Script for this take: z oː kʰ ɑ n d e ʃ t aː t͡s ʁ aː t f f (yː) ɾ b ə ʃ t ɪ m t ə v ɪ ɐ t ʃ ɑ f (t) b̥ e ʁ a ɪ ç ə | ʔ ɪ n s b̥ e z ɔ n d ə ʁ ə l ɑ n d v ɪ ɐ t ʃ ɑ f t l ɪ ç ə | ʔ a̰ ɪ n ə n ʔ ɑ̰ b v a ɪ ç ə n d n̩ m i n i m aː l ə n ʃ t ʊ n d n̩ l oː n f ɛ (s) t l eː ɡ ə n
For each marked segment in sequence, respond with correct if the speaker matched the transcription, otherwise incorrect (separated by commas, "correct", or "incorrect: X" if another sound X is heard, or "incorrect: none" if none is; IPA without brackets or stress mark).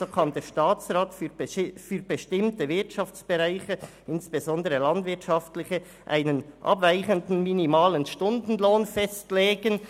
correct, incorrect: t͡s, correct